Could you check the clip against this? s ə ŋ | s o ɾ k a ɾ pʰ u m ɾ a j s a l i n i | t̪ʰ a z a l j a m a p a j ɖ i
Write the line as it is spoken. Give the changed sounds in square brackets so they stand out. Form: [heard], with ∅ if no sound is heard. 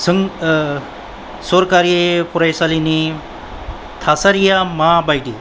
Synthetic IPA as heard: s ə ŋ | s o ɾ k a ɾ [p] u [∅] ɾ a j s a l i n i | t̪ʰ a [s] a [ɾ] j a m a [b] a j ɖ i